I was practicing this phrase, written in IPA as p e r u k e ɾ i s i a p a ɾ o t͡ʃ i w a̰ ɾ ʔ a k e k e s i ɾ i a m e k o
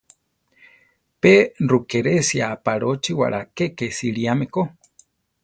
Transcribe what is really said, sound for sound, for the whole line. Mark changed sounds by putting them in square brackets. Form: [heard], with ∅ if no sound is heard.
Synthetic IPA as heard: p e r u k e ɾ [e] s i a p a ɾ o t͡ʃ i w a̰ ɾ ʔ a k e k e s i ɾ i a m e k o